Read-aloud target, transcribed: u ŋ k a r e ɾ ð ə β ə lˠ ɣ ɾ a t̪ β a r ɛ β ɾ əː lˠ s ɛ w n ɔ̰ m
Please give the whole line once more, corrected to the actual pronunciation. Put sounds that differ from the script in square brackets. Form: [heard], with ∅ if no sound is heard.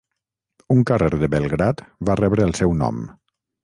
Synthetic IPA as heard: u ŋ k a r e ɾ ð ə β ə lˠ ɣ ɾ a t̪ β a r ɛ β ɾ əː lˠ s ɛ w n ɔ̰ m